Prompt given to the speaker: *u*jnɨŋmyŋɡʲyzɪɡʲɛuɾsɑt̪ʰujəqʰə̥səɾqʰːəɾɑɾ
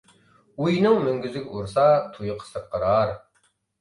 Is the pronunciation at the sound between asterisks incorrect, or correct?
correct